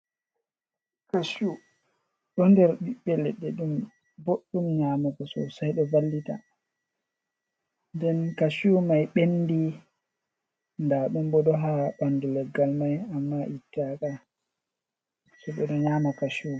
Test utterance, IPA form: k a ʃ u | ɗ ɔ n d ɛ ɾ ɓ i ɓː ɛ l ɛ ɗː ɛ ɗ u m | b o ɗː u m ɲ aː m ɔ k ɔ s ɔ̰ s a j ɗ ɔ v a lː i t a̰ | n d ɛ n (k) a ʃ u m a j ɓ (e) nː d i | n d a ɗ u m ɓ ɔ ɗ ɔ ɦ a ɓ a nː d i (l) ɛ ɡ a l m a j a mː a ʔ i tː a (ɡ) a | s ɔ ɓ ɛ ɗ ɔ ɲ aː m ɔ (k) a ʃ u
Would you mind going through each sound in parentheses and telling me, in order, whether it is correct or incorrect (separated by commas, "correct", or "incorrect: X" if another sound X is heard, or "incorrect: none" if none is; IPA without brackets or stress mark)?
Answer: correct, correct, correct, incorrect: k, correct